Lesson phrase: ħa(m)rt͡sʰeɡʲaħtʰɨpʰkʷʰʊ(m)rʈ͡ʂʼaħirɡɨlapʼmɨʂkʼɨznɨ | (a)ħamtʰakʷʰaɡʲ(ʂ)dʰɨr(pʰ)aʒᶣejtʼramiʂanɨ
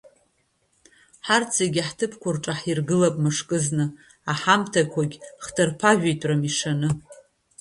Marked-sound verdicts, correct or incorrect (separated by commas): incorrect, incorrect, correct, incorrect, correct